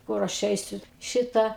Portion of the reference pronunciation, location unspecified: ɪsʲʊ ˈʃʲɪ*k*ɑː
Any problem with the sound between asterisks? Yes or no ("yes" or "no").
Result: yes